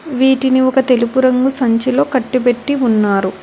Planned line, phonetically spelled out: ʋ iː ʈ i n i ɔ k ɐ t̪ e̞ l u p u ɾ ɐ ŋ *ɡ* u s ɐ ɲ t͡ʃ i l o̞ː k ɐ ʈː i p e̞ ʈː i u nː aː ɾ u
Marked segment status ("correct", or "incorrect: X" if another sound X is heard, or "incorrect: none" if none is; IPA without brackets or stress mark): correct